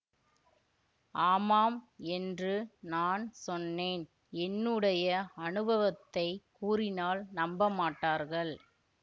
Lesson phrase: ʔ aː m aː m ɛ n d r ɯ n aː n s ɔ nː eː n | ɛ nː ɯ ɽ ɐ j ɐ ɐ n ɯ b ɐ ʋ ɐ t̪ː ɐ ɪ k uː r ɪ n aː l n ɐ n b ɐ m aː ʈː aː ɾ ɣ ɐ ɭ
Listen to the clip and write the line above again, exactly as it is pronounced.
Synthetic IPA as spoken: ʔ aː m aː m ɛ n d r ɯ n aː n s ɔ nː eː n | ɛ nː ɯ ɽ ɐ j ɐ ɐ n ɯ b ɐ ʋ ɐ t̪ː ɐ ɪ k uː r ɪ n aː l n ɐ m b ɐ m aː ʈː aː ɾ ɣ ɐ ɭ